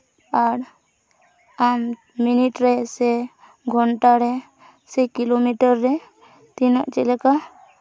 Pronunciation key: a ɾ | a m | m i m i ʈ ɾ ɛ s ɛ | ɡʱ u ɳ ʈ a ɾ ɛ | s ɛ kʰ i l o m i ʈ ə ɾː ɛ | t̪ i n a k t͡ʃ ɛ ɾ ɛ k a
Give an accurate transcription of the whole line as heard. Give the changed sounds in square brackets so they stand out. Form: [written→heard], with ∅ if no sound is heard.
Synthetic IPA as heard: a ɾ | a m | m i [m→n] i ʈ ɾ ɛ s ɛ | ɡʱ [u→ɔ] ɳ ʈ a ɾ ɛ | s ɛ [kʰ→k] i l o m i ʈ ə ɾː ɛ | t̪ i n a [k→ʔ] t͡ʃ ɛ [ɾ→l] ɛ k a